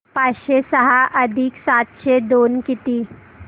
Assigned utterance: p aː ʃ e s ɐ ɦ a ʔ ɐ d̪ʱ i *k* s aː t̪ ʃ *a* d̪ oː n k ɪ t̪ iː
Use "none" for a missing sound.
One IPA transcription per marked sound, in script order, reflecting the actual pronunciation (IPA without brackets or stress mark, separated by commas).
k, e